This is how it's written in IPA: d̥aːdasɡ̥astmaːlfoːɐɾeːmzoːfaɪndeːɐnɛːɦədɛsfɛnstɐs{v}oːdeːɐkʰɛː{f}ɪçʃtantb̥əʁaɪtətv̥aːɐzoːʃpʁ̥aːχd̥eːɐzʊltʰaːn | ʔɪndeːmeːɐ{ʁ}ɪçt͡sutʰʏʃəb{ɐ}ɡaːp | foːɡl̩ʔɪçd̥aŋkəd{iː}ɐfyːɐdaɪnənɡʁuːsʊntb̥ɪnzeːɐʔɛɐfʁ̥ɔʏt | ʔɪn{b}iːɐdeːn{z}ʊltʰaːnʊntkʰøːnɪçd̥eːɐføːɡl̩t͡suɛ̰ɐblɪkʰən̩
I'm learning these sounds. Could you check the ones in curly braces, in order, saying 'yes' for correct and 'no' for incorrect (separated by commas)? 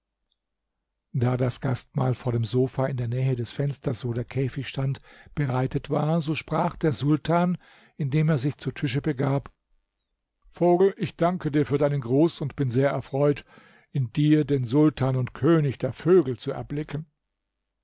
yes, yes, no, no, yes, no, yes